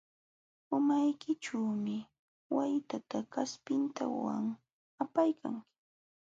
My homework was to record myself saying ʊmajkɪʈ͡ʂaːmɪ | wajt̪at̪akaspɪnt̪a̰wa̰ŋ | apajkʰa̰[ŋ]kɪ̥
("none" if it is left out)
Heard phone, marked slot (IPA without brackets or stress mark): ŋ